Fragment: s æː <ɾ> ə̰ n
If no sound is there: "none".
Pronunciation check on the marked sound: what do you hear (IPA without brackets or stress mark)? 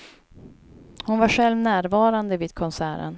ɾ